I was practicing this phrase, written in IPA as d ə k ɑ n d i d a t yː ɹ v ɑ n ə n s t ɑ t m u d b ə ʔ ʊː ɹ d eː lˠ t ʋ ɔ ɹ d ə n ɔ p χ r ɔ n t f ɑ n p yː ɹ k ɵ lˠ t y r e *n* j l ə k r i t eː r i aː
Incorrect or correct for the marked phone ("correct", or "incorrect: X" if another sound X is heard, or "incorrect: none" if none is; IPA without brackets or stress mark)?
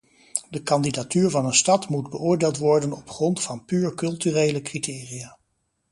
incorrect: none